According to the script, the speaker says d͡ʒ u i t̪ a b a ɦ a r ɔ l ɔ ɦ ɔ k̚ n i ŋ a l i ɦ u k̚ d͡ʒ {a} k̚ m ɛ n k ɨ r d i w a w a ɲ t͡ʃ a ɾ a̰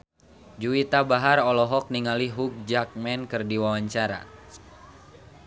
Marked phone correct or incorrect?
correct